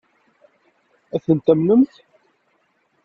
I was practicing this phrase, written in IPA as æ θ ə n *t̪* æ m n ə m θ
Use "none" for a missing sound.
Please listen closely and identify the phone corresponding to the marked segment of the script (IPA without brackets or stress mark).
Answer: t̪